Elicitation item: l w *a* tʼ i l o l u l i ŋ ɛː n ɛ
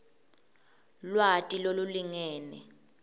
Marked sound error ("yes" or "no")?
no